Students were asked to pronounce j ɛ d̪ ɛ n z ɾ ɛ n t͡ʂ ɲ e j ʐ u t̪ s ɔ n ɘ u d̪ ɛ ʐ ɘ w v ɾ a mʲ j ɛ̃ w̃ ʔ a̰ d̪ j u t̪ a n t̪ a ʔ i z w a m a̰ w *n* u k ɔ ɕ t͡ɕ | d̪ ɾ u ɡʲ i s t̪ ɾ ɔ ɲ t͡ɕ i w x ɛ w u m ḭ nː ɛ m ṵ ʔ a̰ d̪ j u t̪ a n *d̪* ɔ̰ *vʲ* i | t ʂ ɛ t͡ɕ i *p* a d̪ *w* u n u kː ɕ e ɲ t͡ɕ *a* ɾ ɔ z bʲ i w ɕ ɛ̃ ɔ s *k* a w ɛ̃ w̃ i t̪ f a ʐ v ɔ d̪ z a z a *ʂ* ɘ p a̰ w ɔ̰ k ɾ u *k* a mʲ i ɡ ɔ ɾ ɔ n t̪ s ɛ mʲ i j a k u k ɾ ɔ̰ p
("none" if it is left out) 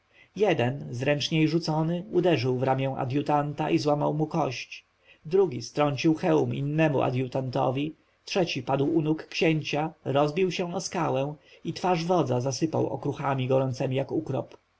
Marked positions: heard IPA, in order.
m, t̪, vʲ, p, w, a, k, s, x

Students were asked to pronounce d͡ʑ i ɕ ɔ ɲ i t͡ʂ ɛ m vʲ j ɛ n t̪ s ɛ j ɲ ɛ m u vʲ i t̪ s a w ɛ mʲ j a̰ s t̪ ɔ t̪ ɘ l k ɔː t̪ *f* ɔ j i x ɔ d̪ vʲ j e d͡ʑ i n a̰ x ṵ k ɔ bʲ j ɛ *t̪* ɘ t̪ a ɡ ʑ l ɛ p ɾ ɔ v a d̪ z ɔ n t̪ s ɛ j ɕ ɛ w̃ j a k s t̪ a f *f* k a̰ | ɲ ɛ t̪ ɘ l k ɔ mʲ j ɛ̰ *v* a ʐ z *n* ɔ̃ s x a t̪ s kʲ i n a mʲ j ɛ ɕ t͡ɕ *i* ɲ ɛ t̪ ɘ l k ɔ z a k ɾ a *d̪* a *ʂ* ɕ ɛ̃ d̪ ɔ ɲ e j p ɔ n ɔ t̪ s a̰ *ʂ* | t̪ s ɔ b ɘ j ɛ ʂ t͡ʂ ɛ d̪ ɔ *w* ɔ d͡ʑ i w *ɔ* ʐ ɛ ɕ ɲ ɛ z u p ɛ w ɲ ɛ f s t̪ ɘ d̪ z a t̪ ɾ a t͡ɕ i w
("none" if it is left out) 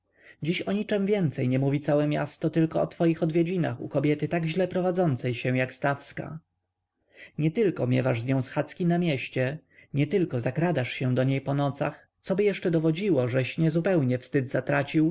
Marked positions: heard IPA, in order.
f, t̪, s, v, ɲ, ɛ, d̪, ʂ, x, v, ɔ

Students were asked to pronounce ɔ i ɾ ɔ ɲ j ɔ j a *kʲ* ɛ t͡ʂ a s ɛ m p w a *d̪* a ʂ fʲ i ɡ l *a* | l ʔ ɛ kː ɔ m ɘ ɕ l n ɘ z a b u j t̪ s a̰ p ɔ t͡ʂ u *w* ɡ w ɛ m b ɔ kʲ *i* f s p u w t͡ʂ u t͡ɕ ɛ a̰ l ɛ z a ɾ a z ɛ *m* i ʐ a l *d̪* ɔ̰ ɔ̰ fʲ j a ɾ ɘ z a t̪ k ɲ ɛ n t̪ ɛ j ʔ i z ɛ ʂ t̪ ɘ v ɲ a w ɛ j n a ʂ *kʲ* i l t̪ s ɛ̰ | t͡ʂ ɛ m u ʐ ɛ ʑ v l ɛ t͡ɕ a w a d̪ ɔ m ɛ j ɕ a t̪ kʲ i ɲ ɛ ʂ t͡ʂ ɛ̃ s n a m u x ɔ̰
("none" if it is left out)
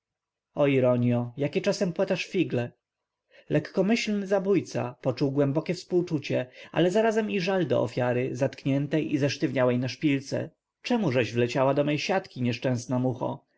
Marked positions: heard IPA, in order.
kʲ, t̪, ɛ, w, ɛ, m, d̪, pʲ

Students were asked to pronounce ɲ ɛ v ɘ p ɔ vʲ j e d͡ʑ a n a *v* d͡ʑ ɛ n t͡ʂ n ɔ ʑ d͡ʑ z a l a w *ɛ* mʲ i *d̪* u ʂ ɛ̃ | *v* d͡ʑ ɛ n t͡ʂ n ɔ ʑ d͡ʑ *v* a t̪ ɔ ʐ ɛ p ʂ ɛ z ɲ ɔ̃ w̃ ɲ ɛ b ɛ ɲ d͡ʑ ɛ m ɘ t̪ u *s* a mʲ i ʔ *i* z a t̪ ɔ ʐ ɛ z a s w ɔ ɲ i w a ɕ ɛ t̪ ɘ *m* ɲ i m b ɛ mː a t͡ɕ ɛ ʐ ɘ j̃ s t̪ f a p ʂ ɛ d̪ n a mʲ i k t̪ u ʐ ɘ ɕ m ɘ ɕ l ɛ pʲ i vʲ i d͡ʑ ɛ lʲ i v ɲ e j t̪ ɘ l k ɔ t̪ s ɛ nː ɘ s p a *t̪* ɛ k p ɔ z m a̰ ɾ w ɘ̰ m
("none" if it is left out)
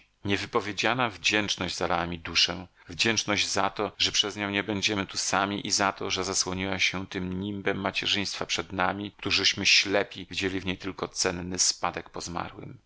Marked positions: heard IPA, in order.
v, a, d̪, v, z, s, i, m, d̪

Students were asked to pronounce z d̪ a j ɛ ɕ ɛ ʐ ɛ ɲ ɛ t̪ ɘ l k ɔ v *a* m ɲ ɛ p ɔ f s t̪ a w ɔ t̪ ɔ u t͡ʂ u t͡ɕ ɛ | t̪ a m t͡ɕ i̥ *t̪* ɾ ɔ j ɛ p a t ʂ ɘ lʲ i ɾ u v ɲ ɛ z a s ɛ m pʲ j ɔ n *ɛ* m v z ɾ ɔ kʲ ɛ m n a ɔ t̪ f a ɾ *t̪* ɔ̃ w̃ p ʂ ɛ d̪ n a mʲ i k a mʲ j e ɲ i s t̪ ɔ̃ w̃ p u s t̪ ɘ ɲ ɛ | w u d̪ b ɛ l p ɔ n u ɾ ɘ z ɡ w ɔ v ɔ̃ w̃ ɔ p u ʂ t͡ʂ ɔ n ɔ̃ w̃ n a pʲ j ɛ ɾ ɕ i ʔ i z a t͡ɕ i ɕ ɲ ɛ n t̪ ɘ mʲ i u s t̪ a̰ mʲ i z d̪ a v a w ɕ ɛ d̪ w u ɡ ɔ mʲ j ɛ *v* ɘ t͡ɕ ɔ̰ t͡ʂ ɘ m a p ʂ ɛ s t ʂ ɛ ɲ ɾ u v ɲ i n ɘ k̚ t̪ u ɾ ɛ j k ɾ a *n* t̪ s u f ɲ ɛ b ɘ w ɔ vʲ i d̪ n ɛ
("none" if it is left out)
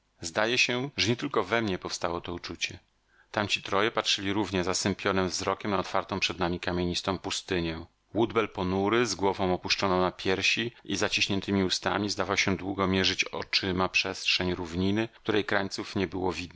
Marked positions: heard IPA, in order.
ɛ, t̪, ɛ, t̪, ʐ, ɲ

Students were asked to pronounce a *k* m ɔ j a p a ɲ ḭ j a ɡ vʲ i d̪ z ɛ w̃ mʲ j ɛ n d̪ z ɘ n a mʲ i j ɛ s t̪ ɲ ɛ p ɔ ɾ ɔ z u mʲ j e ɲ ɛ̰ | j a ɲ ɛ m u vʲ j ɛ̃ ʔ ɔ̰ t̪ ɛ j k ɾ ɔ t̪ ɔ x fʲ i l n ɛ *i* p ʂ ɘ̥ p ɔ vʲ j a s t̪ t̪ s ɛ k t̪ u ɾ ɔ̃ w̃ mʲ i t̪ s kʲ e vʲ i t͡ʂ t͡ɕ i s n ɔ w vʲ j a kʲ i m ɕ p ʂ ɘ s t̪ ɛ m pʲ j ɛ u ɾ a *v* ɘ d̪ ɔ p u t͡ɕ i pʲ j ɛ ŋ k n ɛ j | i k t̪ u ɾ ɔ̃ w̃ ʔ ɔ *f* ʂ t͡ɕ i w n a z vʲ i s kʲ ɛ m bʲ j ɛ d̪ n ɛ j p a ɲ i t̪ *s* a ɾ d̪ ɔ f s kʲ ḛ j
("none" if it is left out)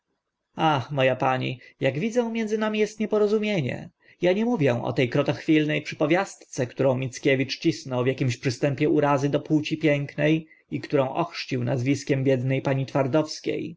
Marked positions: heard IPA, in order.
x, j, z, x, f

